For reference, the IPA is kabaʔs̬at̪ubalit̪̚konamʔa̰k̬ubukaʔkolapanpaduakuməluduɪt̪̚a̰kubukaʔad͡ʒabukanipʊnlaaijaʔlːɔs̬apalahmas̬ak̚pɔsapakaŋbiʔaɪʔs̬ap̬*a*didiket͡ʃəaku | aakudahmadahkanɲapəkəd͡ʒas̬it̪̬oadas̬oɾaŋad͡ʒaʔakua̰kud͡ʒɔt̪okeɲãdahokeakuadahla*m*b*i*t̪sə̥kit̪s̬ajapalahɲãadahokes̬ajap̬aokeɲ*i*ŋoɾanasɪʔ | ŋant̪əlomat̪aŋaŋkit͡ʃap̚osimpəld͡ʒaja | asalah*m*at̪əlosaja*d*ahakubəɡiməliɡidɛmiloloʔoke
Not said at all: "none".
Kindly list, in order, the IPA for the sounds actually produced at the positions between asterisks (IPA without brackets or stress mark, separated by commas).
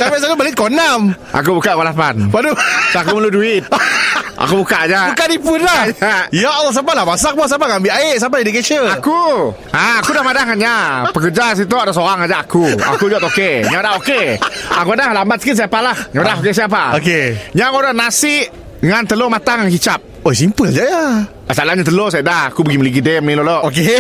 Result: a, m, a, a, ɲ, d